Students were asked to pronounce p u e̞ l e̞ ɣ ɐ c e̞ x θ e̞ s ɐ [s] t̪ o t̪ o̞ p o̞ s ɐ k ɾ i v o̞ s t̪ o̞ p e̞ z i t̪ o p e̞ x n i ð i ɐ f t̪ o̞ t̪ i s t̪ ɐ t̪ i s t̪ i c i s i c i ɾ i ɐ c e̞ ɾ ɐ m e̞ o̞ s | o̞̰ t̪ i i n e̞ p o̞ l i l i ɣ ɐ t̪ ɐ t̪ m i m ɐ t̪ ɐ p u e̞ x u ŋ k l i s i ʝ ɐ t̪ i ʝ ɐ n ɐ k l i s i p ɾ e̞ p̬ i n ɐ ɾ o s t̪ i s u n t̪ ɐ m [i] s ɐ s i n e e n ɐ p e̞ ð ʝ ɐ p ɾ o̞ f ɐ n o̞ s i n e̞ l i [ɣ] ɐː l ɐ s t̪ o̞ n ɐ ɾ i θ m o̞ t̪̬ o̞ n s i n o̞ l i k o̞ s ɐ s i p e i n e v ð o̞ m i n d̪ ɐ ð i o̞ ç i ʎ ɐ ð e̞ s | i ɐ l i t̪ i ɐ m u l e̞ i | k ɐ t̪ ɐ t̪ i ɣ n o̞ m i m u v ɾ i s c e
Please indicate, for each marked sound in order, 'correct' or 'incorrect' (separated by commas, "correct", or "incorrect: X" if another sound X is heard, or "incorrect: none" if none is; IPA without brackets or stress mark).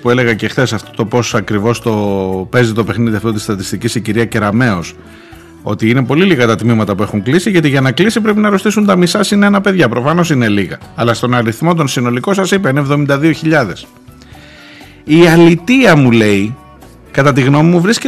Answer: incorrect: f, correct, correct